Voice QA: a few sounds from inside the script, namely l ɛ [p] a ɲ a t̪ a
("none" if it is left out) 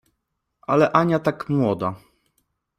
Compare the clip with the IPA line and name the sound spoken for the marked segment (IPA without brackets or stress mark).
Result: ʔ